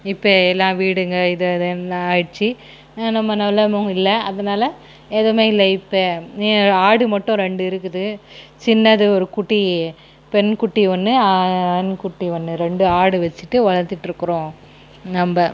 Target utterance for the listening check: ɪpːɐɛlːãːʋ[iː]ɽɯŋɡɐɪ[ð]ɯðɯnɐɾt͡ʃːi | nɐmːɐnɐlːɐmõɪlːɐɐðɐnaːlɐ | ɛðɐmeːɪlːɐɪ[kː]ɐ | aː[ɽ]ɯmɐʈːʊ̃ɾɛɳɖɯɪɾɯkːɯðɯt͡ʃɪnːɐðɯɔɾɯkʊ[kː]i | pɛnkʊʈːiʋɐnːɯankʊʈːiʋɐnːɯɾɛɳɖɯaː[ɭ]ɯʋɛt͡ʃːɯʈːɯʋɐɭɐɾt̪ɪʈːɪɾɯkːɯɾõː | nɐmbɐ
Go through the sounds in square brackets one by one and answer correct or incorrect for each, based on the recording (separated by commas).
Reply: correct, correct, incorrect, correct, incorrect, incorrect